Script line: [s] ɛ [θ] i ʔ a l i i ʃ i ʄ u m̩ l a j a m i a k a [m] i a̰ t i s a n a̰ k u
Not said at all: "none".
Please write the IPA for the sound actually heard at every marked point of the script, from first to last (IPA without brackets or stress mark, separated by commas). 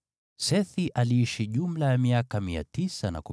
s, θ, m